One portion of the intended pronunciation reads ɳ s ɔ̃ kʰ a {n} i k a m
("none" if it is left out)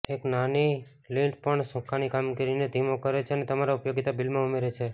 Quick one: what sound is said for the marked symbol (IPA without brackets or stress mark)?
n